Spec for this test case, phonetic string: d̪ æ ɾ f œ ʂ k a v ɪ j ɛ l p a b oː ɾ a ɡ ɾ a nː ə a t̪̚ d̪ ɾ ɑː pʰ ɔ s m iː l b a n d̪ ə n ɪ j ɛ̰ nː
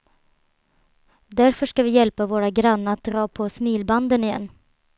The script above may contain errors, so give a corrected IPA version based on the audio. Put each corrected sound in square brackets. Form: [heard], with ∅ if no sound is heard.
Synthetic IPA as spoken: d̪ æ ɾ f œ ʂ k a v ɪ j ɛ l p a [v] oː ɾ a ɡ ɾ a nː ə a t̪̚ d̪ ɾ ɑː pʰ ɔ s m iː l b a n d̪ ə n ɪ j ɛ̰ nː